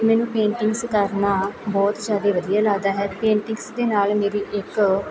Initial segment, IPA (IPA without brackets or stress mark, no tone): m